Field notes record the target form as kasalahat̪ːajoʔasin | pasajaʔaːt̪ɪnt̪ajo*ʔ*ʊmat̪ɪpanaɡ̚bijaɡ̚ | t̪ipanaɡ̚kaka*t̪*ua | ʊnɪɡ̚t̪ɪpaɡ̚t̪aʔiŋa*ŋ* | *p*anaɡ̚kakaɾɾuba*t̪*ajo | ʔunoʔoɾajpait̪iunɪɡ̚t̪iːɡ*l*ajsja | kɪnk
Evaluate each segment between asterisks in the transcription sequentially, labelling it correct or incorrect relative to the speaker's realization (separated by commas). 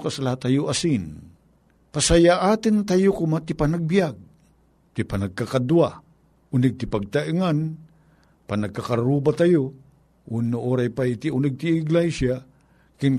incorrect, incorrect, incorrect, correct, correct, correct